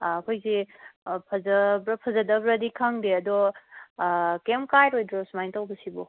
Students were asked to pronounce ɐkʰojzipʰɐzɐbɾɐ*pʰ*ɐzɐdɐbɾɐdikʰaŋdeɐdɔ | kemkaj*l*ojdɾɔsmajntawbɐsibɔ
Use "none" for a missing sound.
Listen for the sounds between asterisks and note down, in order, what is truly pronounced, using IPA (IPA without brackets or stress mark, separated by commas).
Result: pʰ, ɾ